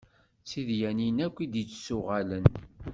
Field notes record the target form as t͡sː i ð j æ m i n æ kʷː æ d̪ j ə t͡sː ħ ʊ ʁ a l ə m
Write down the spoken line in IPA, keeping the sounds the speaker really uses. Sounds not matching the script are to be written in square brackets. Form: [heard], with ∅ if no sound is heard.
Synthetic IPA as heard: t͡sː i ð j æ [n] i n æ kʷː [i] d̪ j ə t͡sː [s] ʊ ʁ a l ə [n]